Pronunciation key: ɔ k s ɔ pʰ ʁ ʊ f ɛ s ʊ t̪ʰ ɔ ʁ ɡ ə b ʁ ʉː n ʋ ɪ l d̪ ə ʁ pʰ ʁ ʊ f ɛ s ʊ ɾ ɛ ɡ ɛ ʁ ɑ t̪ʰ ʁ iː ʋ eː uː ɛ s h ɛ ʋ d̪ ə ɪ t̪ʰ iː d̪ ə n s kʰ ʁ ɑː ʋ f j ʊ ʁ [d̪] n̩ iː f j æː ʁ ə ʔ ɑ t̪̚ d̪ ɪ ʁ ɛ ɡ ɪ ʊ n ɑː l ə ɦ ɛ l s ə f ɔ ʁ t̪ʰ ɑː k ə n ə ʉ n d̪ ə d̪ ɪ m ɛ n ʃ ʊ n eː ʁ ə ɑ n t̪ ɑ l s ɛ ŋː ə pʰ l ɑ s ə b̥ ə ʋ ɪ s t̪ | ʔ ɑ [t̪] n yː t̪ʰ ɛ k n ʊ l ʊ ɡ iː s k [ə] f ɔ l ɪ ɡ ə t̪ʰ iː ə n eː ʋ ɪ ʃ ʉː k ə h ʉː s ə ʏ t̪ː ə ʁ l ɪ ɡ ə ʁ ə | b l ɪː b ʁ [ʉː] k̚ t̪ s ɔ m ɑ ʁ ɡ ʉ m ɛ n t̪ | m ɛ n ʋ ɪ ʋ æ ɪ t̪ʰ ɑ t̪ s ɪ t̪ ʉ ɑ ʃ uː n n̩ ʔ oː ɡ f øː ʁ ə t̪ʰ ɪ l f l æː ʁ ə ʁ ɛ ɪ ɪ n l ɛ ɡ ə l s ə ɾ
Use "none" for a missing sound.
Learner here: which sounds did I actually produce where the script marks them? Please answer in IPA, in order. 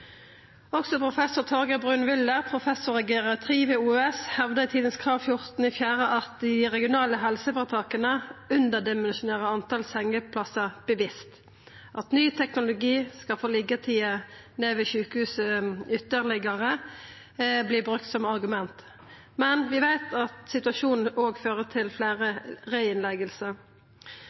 t̪, t̪, ɑ, ʉ

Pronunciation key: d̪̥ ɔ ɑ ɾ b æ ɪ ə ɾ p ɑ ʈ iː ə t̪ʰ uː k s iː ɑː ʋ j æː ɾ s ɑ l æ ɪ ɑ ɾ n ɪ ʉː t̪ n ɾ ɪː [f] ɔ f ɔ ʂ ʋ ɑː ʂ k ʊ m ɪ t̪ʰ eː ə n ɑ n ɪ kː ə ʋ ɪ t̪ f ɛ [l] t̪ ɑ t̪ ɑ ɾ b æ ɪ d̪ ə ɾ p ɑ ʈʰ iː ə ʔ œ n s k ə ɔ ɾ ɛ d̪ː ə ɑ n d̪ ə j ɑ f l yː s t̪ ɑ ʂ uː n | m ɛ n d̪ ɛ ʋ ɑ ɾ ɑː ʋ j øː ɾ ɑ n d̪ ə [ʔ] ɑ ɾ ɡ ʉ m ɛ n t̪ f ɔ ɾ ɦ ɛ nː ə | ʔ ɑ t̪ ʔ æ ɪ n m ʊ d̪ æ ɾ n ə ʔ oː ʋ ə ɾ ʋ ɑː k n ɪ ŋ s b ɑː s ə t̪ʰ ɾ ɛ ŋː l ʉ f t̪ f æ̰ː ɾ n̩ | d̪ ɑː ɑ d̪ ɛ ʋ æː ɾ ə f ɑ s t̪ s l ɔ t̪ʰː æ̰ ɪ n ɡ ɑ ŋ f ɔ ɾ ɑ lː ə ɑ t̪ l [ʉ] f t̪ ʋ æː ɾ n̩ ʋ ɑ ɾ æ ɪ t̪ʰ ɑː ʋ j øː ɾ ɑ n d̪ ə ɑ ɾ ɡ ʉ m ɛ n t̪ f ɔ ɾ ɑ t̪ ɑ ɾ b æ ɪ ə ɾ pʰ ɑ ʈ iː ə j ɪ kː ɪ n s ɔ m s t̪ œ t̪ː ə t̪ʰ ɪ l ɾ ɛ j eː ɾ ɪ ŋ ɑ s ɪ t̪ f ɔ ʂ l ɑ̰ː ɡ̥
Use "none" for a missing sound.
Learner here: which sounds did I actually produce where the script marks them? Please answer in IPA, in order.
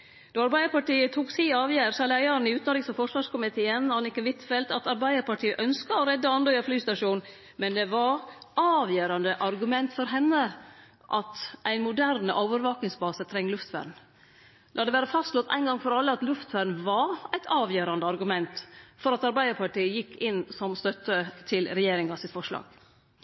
s, l, ʔ, ʉ

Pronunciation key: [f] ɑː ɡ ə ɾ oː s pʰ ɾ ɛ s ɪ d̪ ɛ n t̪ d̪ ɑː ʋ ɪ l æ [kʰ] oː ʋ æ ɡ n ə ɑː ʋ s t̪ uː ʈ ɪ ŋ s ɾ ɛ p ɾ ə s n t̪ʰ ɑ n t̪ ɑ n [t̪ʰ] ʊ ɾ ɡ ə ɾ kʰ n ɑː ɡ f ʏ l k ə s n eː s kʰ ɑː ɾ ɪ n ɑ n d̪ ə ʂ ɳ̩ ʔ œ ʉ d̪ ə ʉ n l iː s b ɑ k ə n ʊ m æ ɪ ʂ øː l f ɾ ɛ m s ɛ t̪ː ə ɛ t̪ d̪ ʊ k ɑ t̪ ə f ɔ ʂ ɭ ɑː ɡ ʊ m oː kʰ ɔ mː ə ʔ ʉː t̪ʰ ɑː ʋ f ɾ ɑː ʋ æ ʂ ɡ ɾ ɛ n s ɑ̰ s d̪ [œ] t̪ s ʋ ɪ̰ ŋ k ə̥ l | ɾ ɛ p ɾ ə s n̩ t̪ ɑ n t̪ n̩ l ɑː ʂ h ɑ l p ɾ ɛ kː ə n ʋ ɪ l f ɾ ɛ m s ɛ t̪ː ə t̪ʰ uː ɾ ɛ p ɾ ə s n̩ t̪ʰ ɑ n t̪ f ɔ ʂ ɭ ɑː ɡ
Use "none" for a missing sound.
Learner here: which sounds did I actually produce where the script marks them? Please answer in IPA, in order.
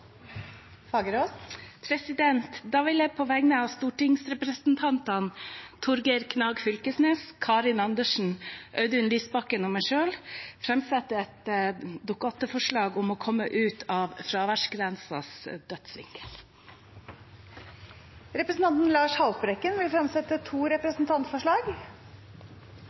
f, pʰ, t̪ʰ, œ

